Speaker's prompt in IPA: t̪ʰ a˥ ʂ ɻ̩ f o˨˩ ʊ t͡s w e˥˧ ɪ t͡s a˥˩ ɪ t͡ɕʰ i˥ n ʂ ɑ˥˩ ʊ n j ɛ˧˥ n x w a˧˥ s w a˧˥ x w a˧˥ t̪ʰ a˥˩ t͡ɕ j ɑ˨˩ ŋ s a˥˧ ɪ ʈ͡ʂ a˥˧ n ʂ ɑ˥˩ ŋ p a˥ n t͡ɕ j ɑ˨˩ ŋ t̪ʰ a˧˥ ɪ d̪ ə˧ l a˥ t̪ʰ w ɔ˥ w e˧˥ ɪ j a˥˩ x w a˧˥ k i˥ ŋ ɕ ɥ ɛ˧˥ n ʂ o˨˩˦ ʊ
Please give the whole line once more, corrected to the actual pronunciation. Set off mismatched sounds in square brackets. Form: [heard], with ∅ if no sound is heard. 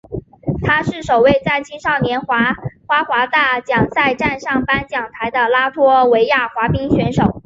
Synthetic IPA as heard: t̪ʰ a˥ ʂ ɻ̩ [ʂ] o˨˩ ʊ [∅] w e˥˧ ɪ t͡s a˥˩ ɪ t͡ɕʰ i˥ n ʂ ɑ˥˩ ʊ n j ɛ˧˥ n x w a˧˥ [x] w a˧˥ x w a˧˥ [t̪] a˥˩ t͡ɕ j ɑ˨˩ ŋ s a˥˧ ɪ ʈ͡ʂ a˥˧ n ʂ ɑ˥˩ ŋ p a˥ n t͡ɕ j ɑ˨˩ ŋ t̪ʰ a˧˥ ɪ d̪ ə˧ l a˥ t̪ʰ w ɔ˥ w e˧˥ ɪ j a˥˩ x w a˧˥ [p] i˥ ŋ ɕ ɥ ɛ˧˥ n ʂ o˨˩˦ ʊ

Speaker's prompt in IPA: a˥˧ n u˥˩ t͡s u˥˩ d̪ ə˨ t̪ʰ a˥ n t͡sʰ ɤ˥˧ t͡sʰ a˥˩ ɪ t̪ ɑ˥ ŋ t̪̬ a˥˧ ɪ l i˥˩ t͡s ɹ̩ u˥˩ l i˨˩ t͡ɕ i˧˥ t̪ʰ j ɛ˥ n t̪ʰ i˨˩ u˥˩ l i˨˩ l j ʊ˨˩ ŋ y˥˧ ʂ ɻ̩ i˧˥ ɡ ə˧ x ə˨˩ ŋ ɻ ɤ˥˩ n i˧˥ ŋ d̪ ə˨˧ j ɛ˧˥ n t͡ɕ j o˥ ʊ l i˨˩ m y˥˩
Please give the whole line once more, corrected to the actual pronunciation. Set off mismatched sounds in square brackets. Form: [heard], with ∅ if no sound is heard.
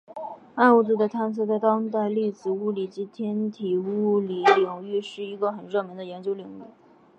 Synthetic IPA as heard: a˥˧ n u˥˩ t͡s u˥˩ d̪ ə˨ t̪ʰ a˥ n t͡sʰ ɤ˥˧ [t͡s] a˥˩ ɪ t̪ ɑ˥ ŋ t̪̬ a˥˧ ɪ l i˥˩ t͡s ɹ̩ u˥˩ l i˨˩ t͡ɕ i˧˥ t̪ʰ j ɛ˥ n t̪ʰ i˨˩ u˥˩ l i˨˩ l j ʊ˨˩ ŋ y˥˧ ʂ ɻ̩ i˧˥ ɡ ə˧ x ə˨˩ [n] ɻ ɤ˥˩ [m] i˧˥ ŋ d̪ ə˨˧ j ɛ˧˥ n t͡ɕ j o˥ ʊ l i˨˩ [ŋ] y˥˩

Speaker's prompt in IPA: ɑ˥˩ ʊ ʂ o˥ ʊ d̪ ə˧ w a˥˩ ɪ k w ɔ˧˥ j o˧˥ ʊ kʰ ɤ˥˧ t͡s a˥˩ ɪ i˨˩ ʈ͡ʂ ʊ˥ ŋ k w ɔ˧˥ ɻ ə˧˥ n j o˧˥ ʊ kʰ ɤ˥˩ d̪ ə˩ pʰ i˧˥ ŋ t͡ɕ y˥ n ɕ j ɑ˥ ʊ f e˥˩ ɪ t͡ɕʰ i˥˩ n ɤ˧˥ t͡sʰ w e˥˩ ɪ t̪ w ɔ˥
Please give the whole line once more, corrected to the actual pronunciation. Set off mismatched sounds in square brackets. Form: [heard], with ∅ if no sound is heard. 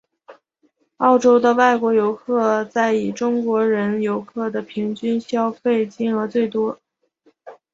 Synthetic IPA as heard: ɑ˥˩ ʊ [ʈ͡ʂ] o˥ ʊ d̪ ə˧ w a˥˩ ɪ k w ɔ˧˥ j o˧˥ ʊ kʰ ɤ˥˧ t͡s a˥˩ ɪ i˨˩ ʈ͡ʂ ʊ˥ ŋ k w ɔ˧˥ ɻ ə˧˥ n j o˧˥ ʊ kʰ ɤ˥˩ d̪ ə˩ pʰ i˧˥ ŋ t͡ɕ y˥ n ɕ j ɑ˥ ʊ f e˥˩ ɪ [t͡ɕ] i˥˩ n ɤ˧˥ [t͡s] w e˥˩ ɪ t̪ w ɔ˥

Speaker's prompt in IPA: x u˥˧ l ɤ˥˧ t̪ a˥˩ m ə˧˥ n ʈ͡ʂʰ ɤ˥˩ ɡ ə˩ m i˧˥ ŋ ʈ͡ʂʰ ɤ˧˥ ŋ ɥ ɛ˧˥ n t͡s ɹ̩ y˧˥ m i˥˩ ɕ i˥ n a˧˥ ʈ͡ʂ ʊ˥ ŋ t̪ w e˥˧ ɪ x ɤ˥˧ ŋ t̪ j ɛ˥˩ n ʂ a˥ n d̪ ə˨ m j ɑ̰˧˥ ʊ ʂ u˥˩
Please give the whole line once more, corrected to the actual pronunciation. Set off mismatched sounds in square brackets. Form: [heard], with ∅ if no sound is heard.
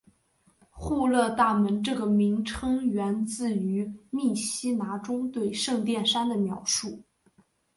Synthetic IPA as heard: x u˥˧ l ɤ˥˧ t̪ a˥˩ m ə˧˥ n [ʈ͡ʂ] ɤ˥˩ ɡ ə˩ m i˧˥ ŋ ʈ͡ʂʰ [ɤ˥] ŋ ɥ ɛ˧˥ n t͡s ɹ̩ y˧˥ m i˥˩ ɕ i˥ n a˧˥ ʈ͡ʂ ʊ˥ ŋ t̪ w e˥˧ ɪ [ʂ] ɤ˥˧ ŋ t̪ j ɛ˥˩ n ʂ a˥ n d̪ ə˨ m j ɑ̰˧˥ ʊ ʂ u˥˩

